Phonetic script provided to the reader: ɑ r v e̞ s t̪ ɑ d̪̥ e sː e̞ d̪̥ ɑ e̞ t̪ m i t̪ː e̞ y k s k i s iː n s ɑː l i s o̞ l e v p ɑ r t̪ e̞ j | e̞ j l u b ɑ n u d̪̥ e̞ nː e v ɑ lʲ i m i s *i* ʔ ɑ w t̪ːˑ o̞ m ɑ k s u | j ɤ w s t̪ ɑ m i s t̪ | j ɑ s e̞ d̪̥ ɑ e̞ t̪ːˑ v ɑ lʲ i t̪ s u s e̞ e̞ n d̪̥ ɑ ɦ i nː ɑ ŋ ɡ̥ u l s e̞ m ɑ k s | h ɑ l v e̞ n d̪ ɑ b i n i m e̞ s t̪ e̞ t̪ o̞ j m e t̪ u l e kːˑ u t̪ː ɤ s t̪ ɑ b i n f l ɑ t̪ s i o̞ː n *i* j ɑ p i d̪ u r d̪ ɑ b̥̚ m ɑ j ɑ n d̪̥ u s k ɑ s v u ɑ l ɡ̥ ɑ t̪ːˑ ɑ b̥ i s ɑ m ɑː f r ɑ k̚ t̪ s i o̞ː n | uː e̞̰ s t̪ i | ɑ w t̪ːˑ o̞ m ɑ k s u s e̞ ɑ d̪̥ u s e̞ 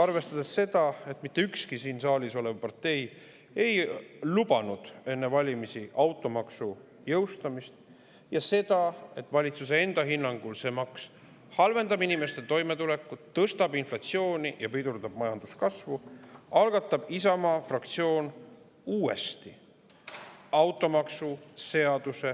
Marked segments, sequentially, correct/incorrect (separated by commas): correct, correct